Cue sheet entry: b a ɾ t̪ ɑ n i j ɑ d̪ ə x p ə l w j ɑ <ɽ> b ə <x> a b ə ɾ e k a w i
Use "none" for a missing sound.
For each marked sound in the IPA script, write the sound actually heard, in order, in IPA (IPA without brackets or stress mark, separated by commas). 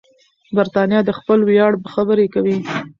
ɽ, x